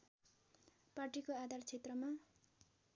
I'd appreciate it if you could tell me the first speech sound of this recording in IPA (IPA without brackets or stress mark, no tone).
p